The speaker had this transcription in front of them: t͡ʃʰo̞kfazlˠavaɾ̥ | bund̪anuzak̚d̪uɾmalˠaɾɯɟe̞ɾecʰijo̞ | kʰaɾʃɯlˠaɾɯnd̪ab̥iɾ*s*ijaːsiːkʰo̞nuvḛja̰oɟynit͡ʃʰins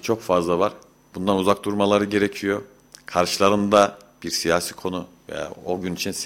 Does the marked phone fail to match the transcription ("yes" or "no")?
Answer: no